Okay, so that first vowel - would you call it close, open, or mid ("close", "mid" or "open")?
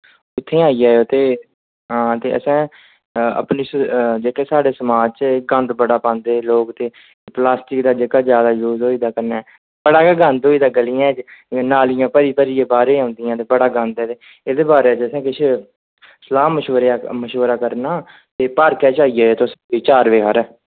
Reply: close